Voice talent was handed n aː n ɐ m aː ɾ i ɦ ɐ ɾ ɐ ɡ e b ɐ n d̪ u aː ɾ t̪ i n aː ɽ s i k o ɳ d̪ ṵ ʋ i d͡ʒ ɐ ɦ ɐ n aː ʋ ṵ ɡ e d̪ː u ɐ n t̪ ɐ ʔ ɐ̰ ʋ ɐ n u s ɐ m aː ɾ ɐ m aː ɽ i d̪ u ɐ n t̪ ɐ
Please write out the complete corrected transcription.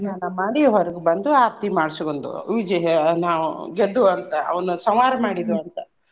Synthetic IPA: n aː n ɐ m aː ɽ i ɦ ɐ ɾ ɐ ɡ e b ɐ n d̪ u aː ɾ t̪ i m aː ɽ s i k o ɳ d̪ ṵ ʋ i d͡ʒ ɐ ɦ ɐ n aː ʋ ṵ ɡ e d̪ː u ɐ n t̪ ɐ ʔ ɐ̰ ʋ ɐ n u s ɐ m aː ɾ ɐ m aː ɽ i d̪ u ɐ n t̪ ɐ

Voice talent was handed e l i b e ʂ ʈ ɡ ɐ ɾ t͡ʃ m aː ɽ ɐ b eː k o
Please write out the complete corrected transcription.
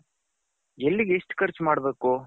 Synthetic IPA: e lː i ɡ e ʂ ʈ k ɐ ɾ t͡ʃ m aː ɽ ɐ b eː k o

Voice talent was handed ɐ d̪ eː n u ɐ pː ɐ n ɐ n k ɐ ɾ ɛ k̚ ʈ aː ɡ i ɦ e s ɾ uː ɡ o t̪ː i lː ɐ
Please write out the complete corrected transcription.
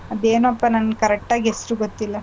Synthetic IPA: ɐ d̪ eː n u ɐ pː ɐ n ɐ n k ɐ ɾ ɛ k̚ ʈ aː ɡ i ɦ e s ɾ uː ɡ o t̪ː i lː ɐ

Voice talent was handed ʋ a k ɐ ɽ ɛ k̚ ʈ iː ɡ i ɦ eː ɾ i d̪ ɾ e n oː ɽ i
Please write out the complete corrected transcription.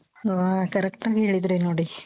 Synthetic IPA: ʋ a k ɐ ɾ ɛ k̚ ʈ aː ɡ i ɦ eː ɭ i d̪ ɾ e n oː ɽ i

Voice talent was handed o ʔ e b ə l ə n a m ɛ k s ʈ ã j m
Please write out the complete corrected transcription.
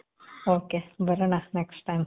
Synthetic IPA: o k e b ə ɾ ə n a n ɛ k s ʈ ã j m

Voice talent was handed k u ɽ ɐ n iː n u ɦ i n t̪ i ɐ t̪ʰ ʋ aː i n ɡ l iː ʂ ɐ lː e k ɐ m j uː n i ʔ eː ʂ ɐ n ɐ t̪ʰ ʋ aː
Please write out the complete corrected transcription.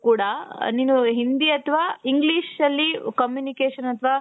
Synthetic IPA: k uː ɽ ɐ n iː n u ɦ i n d̪ i ɐ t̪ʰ ʋ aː i ŋ ɡ l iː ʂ ɐ lː i k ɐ m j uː n i k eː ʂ ɐ n ɐ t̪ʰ ʋ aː

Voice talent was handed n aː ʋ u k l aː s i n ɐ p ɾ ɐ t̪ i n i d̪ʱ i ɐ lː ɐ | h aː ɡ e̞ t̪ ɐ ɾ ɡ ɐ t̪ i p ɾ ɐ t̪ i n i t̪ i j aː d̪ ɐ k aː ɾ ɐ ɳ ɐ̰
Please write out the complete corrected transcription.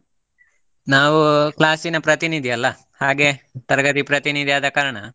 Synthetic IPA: n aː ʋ u k l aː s i n ɐ p ɾ ɐ t̪ i n i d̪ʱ i ɐ lː ɐ | h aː ɡ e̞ t̪ ɐ ɾ ɡ ɐ t̪ i p ɾ ɐ t̪ i n i d̪ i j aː d̪ ɐ k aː ɾ ɐ ɳ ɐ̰

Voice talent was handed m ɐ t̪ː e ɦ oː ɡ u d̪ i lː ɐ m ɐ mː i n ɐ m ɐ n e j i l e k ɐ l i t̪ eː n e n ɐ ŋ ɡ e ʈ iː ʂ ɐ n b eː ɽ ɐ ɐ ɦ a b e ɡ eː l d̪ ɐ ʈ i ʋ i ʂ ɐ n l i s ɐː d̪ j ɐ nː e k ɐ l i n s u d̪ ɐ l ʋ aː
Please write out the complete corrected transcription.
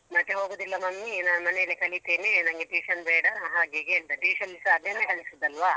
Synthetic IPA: m ɐ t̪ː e ɦ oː ɡ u d̪ i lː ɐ m ɐ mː i n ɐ m ɐ n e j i l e k ɐ l i t̪ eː n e n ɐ ŋ ɡ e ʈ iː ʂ ɐ n b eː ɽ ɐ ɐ ɦ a ɡ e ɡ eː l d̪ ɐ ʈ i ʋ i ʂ ɐ n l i s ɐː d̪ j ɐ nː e k ɐ l i s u d̪ ɐ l ʋ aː

